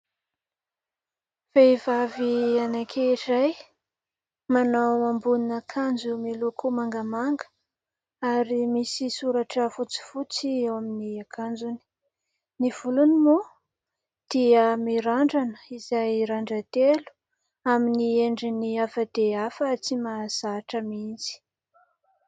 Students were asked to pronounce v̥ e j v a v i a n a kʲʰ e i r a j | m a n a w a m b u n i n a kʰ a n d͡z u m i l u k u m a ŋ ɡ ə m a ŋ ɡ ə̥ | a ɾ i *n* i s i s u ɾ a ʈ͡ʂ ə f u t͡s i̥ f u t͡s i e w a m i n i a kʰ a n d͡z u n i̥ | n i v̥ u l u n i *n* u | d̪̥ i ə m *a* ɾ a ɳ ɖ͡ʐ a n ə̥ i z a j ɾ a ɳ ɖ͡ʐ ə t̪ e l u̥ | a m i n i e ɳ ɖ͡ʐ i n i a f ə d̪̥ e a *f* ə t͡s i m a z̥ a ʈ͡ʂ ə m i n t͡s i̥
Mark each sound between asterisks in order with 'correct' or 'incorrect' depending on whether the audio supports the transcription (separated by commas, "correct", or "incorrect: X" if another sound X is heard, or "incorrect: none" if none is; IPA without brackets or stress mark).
incorrect: m, incorrect: m, incorrect: i, correct